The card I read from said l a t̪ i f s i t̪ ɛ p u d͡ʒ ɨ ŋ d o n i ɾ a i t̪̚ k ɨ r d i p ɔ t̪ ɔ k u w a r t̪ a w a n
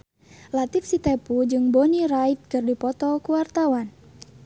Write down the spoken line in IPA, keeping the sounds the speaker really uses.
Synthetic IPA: l a t̪ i f s i t̪ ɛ p u d͡ʒ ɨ ŋ b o n i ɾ a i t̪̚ k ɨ r d i p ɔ t̪ ɔ k u w a r t̪ a w a n